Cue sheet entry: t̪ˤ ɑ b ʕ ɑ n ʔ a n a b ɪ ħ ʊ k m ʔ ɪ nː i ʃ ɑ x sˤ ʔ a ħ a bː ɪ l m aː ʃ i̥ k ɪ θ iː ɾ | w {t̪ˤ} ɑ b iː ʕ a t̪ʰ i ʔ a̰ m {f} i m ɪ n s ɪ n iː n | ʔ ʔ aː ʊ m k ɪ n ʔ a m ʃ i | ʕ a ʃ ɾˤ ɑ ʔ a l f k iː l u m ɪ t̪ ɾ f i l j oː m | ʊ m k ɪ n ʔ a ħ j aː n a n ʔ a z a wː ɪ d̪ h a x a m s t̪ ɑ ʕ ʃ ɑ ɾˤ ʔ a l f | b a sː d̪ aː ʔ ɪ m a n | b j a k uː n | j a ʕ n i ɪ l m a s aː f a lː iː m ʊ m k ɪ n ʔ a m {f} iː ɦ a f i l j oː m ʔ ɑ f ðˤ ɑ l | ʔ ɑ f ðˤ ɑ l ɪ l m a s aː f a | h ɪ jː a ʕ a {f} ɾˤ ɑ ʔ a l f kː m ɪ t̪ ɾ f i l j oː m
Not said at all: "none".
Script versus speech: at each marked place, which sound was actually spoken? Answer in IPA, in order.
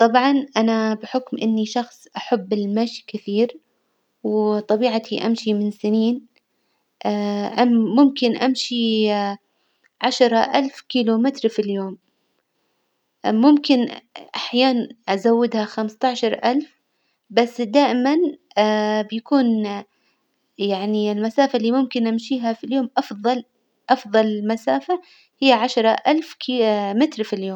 t̪ˤ, ʃ, ʃ, ʃ

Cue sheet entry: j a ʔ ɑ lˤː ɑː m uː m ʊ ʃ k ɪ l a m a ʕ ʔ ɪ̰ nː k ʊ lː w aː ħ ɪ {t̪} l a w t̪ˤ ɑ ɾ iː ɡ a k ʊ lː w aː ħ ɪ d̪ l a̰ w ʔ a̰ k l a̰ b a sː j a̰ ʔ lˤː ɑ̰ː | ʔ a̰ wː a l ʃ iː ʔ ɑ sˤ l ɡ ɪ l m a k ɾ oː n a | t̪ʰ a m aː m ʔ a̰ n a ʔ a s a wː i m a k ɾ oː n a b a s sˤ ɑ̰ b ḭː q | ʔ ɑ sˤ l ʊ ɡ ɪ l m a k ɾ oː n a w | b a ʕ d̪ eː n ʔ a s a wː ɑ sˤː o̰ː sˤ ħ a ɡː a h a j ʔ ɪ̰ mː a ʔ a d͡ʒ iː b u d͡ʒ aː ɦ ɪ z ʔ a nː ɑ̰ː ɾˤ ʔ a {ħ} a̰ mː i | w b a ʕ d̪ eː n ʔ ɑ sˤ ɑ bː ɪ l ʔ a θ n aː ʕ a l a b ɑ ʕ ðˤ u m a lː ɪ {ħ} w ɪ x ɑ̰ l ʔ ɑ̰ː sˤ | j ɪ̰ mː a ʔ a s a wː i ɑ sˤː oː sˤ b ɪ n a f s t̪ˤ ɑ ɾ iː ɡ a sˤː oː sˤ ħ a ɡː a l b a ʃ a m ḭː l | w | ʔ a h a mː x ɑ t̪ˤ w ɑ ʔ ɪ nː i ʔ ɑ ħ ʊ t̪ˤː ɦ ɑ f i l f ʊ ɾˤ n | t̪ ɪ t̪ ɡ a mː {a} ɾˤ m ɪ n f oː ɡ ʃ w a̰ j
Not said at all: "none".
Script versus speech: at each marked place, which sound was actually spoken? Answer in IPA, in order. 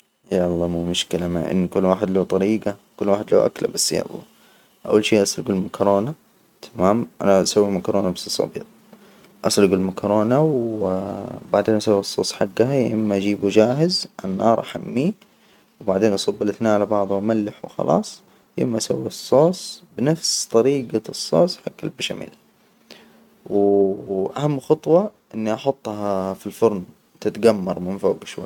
d̪, ħ, ħ, ɑ

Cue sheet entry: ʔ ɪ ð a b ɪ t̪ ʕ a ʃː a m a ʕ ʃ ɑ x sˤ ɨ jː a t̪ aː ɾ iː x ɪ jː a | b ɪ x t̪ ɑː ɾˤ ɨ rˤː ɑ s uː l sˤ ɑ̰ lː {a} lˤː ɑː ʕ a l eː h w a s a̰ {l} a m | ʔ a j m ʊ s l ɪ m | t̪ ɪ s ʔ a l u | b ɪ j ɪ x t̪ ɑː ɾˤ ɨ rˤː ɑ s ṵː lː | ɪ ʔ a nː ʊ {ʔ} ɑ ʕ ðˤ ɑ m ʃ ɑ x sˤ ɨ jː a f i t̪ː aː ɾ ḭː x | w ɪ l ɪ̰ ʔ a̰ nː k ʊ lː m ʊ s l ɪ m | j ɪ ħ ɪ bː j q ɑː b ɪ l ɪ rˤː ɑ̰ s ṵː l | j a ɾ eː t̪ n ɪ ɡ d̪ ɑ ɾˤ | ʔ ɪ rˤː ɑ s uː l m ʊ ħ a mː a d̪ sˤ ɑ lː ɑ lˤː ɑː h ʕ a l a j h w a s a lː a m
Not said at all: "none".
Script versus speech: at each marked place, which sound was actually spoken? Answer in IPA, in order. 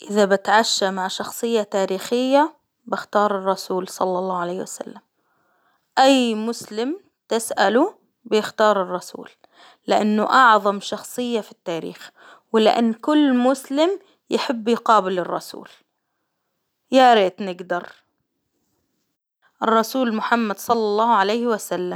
ɑ, lː, ʔ

